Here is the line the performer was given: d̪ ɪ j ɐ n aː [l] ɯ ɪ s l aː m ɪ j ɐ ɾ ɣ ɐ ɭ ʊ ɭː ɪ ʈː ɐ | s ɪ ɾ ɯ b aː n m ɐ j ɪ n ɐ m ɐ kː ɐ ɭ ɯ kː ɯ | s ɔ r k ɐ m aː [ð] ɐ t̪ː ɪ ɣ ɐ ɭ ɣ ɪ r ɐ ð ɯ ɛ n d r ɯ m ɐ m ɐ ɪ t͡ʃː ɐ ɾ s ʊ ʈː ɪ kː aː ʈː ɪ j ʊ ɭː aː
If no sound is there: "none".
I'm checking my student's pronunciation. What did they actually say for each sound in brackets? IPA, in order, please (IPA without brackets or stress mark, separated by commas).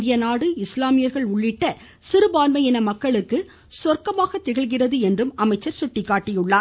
ɽ, ɣ